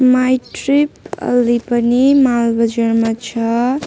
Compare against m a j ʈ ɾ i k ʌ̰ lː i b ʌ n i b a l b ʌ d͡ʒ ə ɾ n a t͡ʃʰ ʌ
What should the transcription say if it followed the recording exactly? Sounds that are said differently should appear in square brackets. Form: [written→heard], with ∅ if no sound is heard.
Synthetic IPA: m a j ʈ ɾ i [k→p] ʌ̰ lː i [b→p] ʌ n i [b→m] a l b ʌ d͡ʒ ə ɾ [n→m] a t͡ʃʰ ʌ